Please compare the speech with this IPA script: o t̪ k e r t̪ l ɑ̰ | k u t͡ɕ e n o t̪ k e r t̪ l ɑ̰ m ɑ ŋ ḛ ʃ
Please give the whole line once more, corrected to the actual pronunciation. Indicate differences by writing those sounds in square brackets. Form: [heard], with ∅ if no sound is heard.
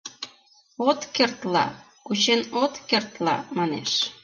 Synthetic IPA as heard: o t̪ k e r t̪ l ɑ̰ | k u t͡ɕ e n o t̪ k e r t̪ l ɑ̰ m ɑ [n] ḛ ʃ